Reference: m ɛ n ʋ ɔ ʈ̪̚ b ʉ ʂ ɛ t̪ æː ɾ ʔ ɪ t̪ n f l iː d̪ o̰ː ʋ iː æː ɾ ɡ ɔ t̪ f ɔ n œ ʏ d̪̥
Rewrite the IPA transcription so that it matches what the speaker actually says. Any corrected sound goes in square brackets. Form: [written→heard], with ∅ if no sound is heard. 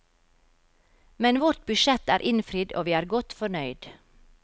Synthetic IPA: m ɛ n ʋ ɔ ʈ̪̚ b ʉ [ʂ→ʃ] ɛ t̪ æː ɾ ʔ ɪ [t̪→∅] n f [l→ɾ] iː d̪ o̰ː ʋ iː æː ɾ ɡ ɔ t̪ f ɔ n œ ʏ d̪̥